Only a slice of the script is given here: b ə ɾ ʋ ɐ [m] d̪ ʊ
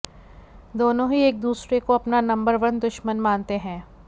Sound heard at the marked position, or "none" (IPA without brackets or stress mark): n